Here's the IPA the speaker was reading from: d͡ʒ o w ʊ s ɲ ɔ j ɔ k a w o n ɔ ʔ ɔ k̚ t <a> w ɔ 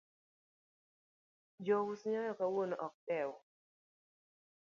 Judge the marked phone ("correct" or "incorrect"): incorrect